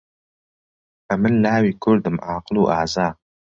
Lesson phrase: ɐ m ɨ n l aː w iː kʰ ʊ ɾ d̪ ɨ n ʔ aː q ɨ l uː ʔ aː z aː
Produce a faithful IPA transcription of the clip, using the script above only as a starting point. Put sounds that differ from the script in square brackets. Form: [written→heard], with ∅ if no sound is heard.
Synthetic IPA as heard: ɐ m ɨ n l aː w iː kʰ ʊ ɾ d̪ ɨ [n→m] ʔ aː q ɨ l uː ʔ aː z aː